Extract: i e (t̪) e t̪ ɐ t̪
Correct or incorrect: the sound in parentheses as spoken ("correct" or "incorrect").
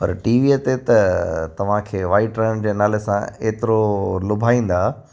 correct